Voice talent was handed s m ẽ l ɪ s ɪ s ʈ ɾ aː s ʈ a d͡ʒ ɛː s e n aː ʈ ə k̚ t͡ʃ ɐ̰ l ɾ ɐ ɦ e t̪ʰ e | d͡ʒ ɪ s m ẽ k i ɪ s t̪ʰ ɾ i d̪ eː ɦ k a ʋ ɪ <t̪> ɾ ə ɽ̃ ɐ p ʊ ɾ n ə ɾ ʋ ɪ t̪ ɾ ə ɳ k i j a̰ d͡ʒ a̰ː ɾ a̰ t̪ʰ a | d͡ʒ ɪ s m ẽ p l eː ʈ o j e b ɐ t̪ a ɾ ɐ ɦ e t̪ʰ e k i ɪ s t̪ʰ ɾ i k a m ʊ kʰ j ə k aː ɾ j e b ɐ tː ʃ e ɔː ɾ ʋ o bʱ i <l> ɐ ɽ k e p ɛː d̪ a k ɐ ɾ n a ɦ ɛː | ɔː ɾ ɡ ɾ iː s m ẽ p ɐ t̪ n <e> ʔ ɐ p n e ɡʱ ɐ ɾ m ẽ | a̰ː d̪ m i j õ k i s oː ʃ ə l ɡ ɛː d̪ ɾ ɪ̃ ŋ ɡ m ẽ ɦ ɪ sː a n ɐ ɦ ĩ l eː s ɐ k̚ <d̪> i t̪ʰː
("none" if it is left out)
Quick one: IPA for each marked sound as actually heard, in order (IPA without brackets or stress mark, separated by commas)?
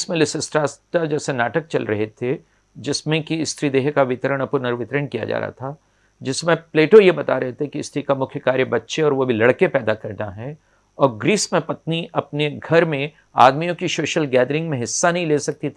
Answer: t̪, l, i, t̪